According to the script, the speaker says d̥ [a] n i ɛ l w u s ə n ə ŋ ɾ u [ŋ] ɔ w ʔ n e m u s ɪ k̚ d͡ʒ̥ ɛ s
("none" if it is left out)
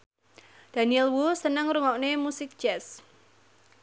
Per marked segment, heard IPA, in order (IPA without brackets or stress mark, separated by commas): a, ŋ